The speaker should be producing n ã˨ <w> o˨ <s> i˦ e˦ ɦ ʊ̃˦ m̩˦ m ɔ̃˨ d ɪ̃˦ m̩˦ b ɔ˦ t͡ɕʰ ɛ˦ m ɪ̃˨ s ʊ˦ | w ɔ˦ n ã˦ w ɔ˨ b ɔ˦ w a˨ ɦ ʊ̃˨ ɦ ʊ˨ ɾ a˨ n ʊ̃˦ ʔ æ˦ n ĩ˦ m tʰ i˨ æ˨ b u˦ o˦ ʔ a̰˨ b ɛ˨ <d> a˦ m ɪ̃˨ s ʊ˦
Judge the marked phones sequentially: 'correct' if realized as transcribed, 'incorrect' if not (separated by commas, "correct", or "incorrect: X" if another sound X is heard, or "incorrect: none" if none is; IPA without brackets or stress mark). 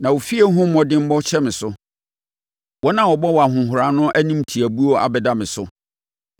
correct, incorrect: f, correct